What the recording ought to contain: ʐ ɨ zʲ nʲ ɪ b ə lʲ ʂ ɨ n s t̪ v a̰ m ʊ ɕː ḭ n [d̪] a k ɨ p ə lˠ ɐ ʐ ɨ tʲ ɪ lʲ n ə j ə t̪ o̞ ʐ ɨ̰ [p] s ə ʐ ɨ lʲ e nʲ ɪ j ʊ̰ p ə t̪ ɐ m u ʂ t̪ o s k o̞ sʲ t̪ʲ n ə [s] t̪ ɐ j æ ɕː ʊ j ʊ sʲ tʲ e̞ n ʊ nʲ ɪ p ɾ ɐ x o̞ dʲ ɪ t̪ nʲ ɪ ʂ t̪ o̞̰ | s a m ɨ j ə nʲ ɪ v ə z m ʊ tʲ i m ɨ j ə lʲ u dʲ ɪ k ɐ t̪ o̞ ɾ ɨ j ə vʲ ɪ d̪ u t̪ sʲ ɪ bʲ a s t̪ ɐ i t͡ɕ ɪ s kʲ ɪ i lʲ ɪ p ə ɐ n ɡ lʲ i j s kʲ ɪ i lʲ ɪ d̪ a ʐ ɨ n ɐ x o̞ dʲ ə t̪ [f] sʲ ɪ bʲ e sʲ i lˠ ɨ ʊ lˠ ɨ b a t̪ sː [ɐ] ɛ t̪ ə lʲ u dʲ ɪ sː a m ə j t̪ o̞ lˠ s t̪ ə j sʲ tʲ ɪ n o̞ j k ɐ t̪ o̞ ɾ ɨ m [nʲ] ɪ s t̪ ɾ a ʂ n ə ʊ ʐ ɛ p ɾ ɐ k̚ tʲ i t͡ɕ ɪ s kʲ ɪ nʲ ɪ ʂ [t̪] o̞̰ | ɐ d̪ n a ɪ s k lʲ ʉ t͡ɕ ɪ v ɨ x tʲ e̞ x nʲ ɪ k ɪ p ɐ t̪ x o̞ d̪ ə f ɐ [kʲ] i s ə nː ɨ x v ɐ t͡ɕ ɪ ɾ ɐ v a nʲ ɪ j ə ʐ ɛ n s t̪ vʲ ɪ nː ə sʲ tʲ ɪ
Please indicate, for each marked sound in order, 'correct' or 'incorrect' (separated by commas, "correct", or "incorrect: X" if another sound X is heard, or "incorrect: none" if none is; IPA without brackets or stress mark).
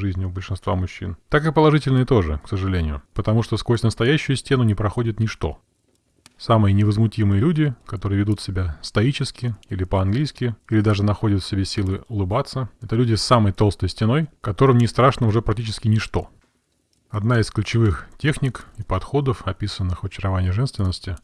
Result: incorrect: t̪, incorrect: k, correct, correct, incorrect: ə, correct, correct, incorrect: pʲ